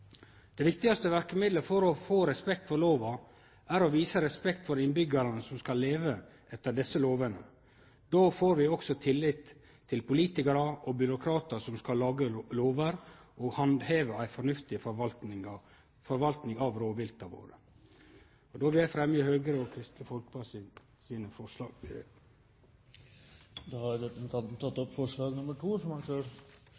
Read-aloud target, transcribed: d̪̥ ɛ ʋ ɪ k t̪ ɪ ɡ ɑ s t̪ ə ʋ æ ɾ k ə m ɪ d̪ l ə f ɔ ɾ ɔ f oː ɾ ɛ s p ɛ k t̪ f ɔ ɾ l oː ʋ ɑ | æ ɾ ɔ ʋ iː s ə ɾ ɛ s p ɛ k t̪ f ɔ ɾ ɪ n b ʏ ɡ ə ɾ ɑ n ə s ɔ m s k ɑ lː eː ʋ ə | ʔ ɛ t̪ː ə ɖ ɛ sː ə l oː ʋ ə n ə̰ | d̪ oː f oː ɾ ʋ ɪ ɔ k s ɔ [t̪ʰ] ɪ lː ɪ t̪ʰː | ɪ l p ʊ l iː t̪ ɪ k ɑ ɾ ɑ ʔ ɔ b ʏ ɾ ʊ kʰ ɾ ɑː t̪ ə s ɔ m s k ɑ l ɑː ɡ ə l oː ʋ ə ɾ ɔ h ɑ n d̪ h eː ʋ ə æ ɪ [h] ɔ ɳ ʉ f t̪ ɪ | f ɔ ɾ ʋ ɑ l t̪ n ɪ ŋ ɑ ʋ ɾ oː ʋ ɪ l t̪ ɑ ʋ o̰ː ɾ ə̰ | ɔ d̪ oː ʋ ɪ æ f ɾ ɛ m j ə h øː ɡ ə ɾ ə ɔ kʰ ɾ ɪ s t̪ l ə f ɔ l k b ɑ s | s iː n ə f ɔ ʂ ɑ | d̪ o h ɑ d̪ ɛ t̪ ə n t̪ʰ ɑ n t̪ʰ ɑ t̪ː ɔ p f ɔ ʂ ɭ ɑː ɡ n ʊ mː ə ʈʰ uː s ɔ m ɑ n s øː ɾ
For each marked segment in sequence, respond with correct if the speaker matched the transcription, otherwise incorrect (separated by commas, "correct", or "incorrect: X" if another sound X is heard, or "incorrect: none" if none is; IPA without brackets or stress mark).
correct, incorrect: f